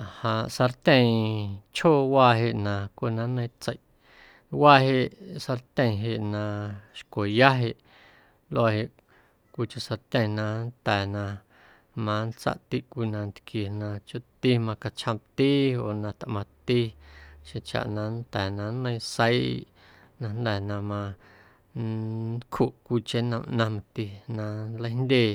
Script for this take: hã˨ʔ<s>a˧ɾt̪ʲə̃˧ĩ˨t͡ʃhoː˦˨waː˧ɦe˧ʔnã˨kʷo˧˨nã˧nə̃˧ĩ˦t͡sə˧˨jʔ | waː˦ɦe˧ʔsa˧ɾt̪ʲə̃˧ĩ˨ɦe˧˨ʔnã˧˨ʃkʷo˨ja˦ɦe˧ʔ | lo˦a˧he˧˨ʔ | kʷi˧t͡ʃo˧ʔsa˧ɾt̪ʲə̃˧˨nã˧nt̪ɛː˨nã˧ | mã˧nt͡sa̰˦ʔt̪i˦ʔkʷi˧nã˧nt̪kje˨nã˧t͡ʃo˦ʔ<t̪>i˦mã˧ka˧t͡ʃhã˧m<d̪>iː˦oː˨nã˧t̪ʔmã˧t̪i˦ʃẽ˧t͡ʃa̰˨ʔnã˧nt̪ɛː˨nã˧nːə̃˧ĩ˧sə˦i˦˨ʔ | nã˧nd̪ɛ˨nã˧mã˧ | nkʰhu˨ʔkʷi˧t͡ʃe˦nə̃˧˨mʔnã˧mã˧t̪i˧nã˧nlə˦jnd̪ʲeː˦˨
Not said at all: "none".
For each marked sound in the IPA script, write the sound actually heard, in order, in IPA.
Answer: s, t̪, t̪

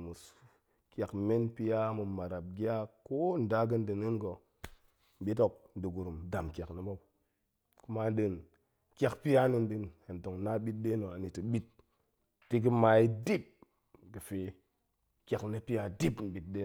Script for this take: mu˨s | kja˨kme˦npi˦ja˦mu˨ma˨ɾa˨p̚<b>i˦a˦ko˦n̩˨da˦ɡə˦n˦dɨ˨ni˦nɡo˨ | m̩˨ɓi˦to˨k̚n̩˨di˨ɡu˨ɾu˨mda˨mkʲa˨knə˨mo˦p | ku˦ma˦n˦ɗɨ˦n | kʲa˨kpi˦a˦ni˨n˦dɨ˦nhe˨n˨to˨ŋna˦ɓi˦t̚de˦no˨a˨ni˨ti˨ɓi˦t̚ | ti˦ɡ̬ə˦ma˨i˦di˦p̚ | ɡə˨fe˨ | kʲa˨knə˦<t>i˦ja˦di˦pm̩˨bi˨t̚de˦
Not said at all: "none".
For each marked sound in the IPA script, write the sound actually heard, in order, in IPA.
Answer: ɡ, p

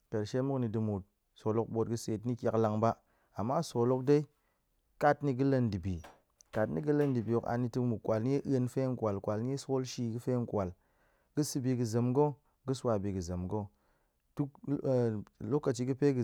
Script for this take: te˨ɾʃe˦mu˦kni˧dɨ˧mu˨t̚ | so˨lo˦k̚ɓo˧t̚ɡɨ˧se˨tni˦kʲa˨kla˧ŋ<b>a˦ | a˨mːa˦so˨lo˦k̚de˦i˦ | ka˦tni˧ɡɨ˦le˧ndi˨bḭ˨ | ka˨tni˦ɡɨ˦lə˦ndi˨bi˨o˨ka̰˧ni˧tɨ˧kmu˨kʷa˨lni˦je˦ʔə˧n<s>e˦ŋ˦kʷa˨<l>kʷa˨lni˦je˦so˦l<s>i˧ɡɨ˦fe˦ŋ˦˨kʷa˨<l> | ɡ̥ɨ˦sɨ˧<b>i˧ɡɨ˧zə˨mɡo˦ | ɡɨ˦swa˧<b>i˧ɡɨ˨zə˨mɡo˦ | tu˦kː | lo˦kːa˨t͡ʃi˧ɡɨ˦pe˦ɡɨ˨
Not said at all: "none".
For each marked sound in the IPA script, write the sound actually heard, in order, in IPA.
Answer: b, f, l, ʃ, l, b, b

